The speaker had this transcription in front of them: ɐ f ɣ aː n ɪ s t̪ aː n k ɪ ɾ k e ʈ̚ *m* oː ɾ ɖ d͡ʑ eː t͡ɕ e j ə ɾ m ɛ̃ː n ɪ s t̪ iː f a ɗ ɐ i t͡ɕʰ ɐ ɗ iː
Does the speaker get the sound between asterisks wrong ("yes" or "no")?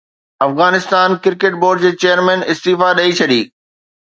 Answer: yes